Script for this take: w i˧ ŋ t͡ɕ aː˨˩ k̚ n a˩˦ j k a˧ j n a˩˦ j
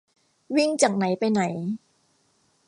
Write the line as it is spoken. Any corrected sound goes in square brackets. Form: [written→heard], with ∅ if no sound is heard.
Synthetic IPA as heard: w [i˧→i˥˩] ŋ t͡ɕ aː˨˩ k̚ n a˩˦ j [k→p] a˧ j n a˩˦ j